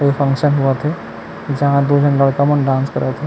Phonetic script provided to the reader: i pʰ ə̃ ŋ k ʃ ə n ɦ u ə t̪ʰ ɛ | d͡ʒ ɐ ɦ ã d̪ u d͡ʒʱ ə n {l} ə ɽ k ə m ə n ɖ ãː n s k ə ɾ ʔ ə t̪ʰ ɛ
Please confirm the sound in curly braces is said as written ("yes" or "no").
yes